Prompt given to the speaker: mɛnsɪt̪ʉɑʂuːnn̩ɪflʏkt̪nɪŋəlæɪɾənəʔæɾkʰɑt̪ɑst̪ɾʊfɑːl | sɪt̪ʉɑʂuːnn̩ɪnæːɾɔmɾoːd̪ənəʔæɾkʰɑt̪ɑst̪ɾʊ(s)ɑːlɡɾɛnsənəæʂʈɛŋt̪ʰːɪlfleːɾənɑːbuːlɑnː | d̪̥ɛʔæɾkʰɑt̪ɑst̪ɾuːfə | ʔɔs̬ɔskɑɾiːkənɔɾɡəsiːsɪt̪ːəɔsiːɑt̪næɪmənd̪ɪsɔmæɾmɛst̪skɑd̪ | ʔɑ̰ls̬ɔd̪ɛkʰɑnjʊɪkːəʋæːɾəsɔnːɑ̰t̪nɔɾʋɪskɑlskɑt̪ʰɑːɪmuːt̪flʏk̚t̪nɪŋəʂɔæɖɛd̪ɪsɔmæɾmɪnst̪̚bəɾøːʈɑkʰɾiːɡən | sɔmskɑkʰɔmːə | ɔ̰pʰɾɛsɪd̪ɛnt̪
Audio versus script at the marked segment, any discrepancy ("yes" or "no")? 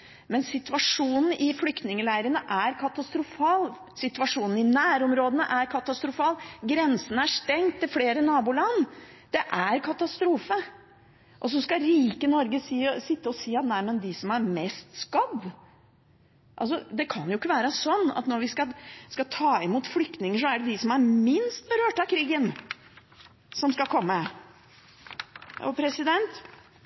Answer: yes